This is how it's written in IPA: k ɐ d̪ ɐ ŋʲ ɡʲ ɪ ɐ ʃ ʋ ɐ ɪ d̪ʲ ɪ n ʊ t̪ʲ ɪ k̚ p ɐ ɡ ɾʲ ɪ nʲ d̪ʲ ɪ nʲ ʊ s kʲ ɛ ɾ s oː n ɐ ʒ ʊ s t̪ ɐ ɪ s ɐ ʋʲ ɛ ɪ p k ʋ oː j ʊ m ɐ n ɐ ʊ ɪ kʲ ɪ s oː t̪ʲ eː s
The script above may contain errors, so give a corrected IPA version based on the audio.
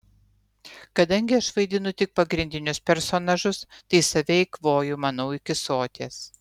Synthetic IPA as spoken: k ɐ d̪ ɐ ŋʲ ɡʲ ɪ ɐ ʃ ʋ ɐ ɪ d̪ʲ ɪ n ʊ t̪ʲ ɪ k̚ p ɐ ɡ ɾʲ ɪ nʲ d̪ʲ ɪ nʲ ʊ s pʲ ɛ ɾ s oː n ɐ ʒ ʊ s t̪ ɐ ɪ s ɐ ʋʲ ɛ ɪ k ʋ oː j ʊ m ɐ n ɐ ʊ ɪ kʲ ɪ s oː t̪ʲ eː s

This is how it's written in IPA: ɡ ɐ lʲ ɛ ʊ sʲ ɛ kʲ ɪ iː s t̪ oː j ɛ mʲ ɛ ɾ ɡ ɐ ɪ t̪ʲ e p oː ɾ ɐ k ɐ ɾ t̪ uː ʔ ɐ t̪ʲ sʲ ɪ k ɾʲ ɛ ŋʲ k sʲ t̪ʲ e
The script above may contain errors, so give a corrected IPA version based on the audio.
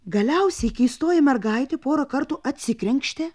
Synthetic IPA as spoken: ɡ ɐ lʲ ɛ ʊ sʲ ɛ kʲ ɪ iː s t̪ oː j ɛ mʲ ɛ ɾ ɡ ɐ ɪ t̪ʲ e p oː ɾ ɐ k ɐ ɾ t̪ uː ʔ ɐ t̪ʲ sʲ ɪ k ɾʲ ɛ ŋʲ k ʃʲ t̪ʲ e

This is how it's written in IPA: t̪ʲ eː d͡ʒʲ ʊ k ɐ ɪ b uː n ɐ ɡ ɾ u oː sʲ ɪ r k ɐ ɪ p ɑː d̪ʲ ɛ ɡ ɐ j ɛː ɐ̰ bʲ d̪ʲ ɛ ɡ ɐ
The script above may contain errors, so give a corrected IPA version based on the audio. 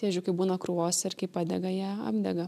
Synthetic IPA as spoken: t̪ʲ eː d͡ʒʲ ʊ k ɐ ɪ b uː n ɐ k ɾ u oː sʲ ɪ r k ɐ ɪ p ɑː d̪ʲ ɛ ɡ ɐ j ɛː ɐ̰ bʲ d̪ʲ ɛ ɡ ɐ

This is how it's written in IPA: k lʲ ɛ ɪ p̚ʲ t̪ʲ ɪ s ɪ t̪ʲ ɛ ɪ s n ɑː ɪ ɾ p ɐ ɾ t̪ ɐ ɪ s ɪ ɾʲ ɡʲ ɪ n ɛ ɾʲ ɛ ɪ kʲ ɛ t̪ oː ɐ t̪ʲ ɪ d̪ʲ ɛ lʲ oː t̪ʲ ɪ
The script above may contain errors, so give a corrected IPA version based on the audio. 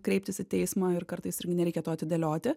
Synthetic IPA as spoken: k ɾʲ ɛ ɪ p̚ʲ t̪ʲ ɪ s ɪ t̪ʲ ɛ ɪ s m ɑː ɪ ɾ k ɐ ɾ t̪ ɐ ɪ s ɪ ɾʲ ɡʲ ɪ n ɛ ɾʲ ɛ ɪ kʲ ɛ t̪ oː ɐ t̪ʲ ɪ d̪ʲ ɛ lʲ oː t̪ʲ ɪ

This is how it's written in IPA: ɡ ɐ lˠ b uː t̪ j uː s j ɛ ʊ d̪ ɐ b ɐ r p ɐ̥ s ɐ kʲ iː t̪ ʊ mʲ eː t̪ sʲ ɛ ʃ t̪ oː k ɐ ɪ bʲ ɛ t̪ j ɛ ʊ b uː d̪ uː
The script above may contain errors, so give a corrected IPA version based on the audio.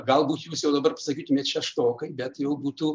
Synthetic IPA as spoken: ɡ ɐ lˠ b uː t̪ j uː s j ɛ ʊ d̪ ɐ b ɐ r p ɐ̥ s ɐ kʲ iː t̪ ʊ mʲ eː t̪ ʃʲ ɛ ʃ t̪ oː k ɐ ɪ bʲ ɛ t̪ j ɛ ʊ b uː t̪ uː

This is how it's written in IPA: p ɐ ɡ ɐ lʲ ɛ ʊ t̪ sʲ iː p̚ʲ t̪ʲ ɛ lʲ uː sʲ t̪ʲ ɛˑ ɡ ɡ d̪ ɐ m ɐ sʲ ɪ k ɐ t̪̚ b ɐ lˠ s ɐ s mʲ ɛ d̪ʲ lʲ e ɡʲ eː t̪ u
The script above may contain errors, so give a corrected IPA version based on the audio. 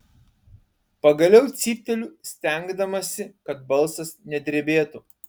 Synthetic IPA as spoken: p ɐ ɡ ɐ lʲ ɛ ʊ t̪ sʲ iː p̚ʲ t̪ʲ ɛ lʲ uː sʲ t̪ʲ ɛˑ ŋ ɡ d̪ ɐ m ɐ sʲ ɪ k ɐ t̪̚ b ɐ lˠ s ɐ s nʲ ɛ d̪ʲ ɾʲ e bʲ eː t̪ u

